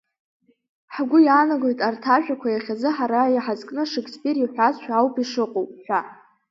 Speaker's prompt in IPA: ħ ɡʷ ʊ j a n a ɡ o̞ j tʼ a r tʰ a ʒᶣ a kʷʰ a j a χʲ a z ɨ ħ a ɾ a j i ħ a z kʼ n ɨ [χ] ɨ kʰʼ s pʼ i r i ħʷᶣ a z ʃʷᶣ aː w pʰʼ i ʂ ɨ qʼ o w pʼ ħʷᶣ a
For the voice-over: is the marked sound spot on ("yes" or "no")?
no